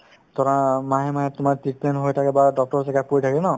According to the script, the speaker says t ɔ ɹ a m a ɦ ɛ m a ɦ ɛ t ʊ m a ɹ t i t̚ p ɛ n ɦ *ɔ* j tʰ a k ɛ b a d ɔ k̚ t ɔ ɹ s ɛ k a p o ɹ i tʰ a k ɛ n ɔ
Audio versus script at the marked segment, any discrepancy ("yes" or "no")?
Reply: yes